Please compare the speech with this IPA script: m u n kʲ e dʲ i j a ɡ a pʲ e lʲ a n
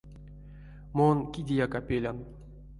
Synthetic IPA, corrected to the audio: m o n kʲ i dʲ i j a k a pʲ e lʲ a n